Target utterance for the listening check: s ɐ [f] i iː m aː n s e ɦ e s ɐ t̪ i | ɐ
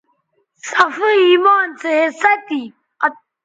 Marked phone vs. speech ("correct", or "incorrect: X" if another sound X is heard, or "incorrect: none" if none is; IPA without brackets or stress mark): correct